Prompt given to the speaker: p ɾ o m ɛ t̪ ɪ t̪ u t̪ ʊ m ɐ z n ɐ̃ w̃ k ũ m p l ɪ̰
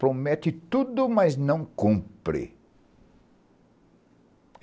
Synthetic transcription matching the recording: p ɾ o m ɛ t̪ ɪ t̪ u d̪ ʊ m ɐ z n ɐ̃ w̃ k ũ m p ɾ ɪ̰